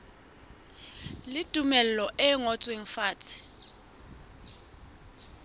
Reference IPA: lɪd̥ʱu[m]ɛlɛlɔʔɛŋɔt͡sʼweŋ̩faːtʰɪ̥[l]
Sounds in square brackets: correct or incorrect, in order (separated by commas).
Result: correct, incorrect